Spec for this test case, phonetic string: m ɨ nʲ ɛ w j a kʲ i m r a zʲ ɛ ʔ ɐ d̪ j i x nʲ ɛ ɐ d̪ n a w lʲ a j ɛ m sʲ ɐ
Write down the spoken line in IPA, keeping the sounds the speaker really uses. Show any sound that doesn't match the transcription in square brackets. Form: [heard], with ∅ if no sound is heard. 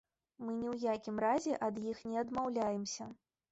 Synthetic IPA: m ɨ nʲ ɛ w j a kʲ i m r a zʲ ɛ ʔ ɐ d̪ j i x nʲ ɛ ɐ d̪ [m] a w lʲ a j ɛ m sʲ ɐ